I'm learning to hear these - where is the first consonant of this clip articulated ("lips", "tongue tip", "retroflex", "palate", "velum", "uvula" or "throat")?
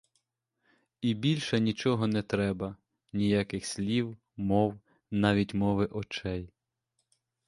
lips